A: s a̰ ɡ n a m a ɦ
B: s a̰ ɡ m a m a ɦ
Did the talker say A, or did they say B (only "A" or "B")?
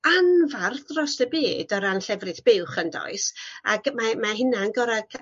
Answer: B